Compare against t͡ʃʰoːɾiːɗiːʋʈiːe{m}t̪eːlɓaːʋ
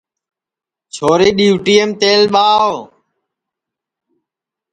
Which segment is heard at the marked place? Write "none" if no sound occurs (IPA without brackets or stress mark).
m